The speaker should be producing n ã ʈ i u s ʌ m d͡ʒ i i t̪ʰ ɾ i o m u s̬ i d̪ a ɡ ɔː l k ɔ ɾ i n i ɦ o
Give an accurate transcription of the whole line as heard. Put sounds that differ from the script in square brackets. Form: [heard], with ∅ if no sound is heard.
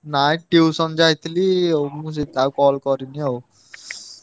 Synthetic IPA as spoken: n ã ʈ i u s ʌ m d͡ʒ [a] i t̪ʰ [l] i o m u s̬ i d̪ a [k] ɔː l k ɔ ɾ i n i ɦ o